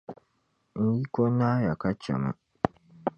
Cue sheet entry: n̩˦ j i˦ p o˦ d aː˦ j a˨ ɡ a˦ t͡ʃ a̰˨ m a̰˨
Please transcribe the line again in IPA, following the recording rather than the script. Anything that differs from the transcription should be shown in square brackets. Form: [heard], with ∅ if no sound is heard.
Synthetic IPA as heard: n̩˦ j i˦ [k] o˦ [n] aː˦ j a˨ [k] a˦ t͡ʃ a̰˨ m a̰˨